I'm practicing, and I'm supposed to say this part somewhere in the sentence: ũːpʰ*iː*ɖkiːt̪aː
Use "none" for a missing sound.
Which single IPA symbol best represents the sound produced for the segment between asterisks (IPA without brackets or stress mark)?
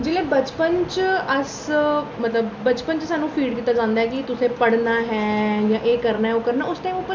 iː